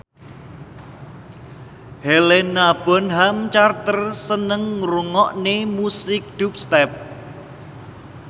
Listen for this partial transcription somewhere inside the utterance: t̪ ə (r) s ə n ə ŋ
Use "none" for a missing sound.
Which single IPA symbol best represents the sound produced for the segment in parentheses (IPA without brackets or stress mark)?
r